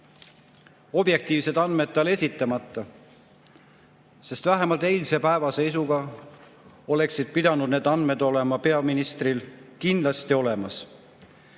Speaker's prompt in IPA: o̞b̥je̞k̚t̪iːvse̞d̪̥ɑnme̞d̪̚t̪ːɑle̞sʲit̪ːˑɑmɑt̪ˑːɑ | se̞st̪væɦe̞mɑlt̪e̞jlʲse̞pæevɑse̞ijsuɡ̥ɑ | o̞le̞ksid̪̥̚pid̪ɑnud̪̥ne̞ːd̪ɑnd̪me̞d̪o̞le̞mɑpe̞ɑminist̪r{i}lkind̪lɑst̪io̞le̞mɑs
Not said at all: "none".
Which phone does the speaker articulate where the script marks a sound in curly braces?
i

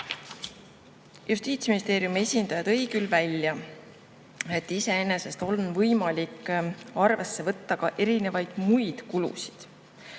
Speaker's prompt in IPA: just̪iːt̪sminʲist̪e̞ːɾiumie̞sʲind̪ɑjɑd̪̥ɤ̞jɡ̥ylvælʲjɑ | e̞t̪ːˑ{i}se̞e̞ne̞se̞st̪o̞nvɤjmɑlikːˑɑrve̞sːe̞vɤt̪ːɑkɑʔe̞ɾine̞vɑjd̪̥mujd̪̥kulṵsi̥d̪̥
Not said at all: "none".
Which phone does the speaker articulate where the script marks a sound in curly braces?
i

